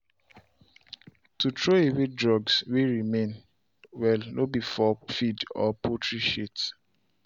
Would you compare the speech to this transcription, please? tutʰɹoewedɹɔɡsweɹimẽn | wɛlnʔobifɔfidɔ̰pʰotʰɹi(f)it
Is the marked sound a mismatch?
yes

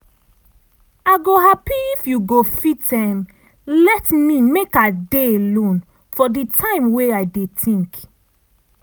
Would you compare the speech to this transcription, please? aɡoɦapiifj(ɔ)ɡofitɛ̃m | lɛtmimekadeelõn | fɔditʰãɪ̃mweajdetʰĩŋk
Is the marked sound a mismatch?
yes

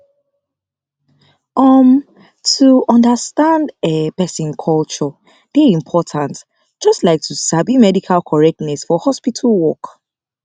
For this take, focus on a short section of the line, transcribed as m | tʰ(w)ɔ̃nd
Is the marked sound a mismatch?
yes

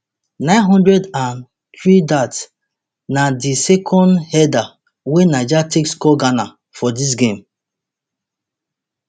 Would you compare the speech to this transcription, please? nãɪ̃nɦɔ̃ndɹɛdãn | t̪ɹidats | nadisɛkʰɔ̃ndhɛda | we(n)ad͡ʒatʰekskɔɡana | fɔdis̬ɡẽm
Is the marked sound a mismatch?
no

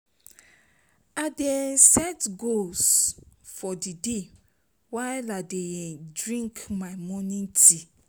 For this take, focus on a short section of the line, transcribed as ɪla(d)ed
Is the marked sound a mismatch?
no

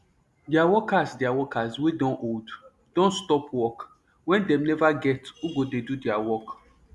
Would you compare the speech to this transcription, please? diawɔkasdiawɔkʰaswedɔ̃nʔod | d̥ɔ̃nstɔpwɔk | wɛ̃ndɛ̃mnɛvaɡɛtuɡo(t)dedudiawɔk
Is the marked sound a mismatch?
yes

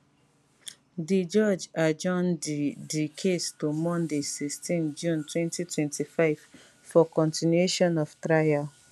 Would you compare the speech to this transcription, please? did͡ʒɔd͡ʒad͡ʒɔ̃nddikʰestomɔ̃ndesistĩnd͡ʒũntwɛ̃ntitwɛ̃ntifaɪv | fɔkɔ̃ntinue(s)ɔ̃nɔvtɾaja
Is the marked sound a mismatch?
yes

